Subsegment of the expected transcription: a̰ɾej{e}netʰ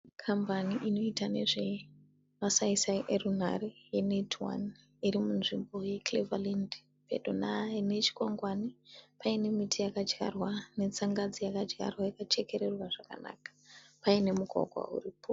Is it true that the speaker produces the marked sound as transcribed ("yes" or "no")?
yes